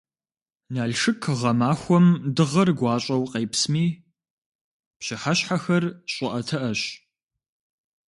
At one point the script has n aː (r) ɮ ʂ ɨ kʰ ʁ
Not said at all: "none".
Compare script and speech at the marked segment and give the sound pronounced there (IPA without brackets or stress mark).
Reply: none